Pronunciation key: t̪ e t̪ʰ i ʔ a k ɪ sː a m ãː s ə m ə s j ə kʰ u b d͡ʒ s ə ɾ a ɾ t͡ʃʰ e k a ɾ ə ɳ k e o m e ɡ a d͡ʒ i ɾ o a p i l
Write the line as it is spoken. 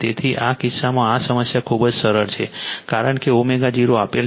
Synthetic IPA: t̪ e t̪ʰ i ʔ a k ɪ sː a m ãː s ə m ə s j a kʰ u b d͡ʒ s ə ɾ ə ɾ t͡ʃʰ e k a ɾ ə ɳ k e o m e ɡ a d͡ʒ i ɾ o a p e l